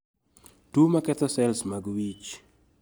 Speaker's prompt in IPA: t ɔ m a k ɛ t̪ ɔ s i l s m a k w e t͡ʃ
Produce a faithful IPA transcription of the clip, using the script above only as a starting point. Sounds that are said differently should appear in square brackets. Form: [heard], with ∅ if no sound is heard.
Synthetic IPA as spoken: t [u] m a k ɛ t̪ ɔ s [ɛ] l s m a [ɡ] w [i] t͡ʃ